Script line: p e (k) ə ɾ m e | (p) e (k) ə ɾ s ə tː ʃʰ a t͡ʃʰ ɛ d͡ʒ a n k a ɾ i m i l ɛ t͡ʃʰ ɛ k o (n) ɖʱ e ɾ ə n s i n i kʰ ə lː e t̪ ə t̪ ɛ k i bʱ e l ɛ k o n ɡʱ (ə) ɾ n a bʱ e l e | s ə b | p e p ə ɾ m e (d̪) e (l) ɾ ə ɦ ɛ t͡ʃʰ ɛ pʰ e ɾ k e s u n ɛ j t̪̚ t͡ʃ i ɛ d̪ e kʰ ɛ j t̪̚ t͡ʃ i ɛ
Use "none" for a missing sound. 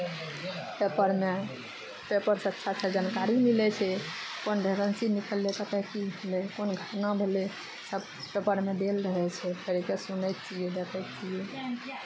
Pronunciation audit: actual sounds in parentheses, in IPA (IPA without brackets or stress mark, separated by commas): p, p, p, n, ə, d̪, l